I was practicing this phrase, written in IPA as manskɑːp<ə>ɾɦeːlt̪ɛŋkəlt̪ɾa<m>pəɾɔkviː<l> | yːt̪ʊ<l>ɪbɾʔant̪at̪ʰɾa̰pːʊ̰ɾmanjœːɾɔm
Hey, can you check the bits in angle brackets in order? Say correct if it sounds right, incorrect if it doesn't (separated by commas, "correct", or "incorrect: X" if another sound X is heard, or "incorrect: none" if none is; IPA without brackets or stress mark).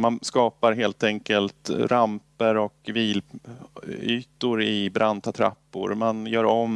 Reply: incorrect: a, correct, correct, incorrect: ɾ